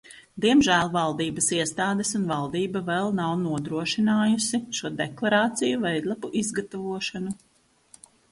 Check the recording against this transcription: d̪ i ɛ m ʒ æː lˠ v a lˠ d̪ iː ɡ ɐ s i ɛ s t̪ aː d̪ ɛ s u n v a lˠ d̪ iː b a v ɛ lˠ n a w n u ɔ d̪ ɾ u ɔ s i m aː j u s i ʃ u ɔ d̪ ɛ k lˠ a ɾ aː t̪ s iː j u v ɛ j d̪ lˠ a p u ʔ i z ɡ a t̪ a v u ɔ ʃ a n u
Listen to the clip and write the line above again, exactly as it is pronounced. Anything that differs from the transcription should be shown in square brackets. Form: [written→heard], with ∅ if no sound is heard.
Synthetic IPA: d̪ i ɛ m ʒ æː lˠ v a lˠ d̪ iː [ɡ→b] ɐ s i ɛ s t̪ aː d̪ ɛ s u n v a lˠ d̪ iː b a v ɛ lˠ n a w n u ɔ d̪ ɾ u ɔ [s→ʃ] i [m→n] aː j u s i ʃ u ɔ d̪ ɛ k lˠ a ɾ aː t̪ s [iː→i] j u v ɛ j d̪ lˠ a p u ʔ i z ɡ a t̪ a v u ɔ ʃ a n u